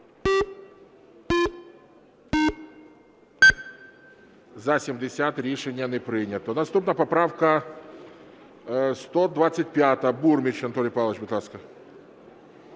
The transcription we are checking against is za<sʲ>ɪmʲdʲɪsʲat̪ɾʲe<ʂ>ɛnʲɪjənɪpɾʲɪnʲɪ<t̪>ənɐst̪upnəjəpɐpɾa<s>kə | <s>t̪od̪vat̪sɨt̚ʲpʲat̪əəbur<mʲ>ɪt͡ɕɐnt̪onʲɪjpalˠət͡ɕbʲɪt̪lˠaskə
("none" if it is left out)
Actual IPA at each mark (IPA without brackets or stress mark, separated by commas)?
sʲ, ʂ, t̪, f, s, mʲ